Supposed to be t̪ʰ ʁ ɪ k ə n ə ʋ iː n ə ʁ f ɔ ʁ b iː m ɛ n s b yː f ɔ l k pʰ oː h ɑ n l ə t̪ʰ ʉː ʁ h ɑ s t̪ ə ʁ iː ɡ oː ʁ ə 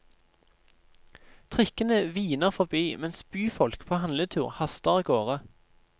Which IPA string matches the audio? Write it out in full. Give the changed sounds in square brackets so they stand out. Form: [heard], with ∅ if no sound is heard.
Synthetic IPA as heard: t̪ʰ ʁ ɪ k ə n ə ʋ iː n ə ʁ f ɔ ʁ b iː m ɛ n s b yː f ɔ l k pʰ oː h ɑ n l ə t̪ʰ ʉː ʁ h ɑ s t̪ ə ʁ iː ɡ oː ʁ ə